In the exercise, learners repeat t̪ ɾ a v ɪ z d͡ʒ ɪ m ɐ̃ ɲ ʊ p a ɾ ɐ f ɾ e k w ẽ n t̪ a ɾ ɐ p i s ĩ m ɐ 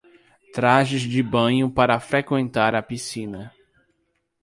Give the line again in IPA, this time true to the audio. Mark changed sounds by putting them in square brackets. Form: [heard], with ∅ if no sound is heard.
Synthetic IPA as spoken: t̪ ɾ a [ʒ] ɪ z d͡ʒ ɪ [b] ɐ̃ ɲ ʊ p a ɾ ɐ f ɾ e k w ẽ n t̪ a ɾ ɐ p i s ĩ [n] ɐ